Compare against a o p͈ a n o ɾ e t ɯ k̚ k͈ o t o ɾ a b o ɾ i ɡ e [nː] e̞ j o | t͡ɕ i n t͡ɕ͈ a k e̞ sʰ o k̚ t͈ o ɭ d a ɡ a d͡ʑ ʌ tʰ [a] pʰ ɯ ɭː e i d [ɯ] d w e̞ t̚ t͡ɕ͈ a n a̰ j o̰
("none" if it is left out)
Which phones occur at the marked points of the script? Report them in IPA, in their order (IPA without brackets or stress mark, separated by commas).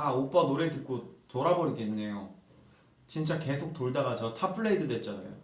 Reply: nː, a, ɯ